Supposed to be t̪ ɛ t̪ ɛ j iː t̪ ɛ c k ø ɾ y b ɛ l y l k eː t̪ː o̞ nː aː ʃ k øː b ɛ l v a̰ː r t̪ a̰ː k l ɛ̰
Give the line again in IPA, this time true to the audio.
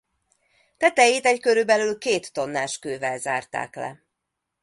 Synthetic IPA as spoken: t̪ ɛ t̪ ɛ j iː t̪ ɛ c k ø ɾ y b ɛ l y l k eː t̪ː o̞ nː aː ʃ k øː v ɛ l z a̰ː r t̪ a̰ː k l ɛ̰